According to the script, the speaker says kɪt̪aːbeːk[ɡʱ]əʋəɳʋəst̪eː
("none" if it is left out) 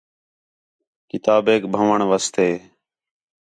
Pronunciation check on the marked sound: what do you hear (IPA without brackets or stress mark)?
bʱ